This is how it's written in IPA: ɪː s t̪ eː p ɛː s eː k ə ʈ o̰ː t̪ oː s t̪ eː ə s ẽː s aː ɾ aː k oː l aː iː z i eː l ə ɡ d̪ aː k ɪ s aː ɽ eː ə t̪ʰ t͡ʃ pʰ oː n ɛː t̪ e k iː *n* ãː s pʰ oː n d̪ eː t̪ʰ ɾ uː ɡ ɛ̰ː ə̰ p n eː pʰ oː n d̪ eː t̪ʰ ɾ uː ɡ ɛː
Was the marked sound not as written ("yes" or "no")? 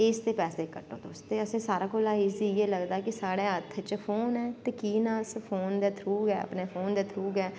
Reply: no